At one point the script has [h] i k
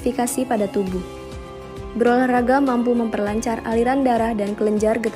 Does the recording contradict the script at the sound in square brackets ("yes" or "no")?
yes